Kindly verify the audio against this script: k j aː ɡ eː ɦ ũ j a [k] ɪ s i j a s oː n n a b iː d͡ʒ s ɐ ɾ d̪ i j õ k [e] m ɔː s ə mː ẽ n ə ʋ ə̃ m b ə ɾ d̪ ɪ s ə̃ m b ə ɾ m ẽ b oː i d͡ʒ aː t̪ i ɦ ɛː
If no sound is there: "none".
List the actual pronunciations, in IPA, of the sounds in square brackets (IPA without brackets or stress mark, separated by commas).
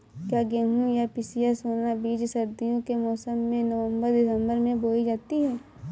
p, e